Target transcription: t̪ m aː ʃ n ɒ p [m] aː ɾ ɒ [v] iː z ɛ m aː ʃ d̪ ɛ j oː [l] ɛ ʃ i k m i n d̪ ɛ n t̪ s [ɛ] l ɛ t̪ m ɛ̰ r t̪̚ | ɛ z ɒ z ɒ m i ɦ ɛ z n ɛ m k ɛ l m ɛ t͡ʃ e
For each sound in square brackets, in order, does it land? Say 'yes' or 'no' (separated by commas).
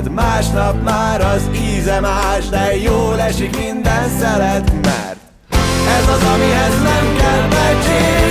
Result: yes, no, yes, yes